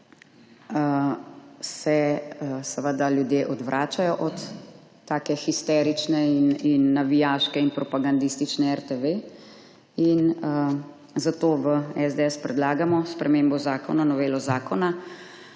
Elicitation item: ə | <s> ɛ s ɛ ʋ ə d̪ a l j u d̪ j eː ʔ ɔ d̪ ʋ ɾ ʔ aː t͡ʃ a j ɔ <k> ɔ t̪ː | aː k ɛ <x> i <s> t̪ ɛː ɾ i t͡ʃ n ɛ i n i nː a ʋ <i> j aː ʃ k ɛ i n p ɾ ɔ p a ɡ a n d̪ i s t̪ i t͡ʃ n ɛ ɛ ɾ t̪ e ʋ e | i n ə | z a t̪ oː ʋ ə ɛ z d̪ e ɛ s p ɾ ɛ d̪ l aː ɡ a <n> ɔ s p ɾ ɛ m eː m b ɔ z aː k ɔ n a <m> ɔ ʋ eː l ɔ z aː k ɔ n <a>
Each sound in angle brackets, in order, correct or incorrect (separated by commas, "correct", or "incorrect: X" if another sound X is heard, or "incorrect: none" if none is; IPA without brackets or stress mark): correct, incorrect: ʔ, correct, correct, correct, incorrect: m, incorrect: n, correct